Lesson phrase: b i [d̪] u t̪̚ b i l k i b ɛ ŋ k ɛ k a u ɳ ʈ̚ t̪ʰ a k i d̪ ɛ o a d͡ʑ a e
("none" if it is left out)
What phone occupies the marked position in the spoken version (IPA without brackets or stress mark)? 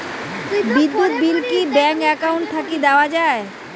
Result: d̪ː